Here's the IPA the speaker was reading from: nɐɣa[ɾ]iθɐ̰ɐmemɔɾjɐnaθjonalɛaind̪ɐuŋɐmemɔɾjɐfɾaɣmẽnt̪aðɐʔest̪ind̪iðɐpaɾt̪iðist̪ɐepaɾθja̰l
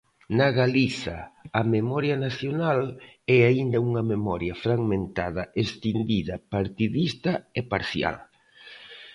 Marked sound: incorrect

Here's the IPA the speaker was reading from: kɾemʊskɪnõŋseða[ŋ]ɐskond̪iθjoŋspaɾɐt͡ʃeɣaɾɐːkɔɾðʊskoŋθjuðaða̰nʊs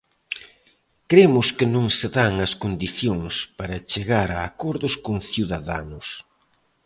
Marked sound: correct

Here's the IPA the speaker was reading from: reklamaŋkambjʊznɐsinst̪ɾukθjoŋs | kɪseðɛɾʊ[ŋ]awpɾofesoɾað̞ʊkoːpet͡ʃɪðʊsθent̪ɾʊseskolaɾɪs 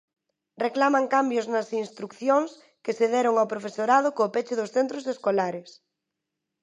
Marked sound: correct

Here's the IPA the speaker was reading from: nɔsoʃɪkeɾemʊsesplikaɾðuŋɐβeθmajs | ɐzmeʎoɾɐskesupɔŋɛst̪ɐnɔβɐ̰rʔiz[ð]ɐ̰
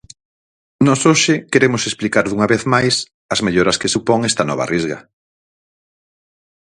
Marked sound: incorrect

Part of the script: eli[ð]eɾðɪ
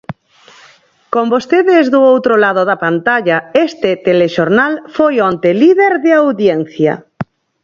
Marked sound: correct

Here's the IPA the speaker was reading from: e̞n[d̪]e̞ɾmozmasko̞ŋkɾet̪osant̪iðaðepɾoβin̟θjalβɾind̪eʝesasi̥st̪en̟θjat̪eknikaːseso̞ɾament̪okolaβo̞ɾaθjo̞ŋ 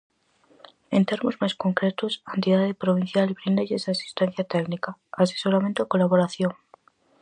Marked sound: incorrect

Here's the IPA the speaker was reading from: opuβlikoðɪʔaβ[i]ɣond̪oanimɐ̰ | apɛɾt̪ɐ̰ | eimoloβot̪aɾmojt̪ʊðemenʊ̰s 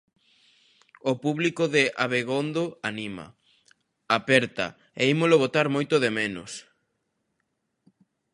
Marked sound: incorrect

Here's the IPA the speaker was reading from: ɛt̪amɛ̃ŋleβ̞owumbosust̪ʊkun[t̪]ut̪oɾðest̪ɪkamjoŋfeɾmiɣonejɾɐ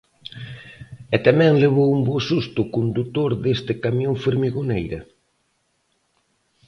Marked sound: incorrect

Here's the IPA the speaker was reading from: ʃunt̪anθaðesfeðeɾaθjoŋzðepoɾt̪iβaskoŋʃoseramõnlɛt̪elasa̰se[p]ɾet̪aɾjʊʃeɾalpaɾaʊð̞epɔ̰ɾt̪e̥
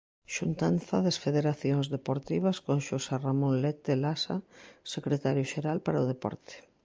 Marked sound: incorrect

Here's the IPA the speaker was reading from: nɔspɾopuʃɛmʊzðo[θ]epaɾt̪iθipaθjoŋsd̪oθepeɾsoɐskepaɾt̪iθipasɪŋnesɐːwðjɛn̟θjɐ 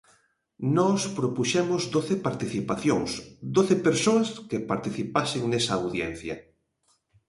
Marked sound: correct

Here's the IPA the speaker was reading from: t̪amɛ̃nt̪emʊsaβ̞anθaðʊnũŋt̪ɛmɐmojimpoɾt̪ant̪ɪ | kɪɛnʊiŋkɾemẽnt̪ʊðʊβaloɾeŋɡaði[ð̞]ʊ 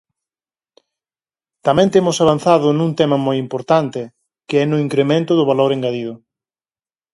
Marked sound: correct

